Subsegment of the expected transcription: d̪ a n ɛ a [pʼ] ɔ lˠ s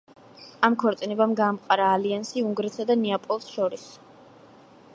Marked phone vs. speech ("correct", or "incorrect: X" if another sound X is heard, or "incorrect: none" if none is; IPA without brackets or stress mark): correct